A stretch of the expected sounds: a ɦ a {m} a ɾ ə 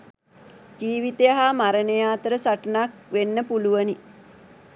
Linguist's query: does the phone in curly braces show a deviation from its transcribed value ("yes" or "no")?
no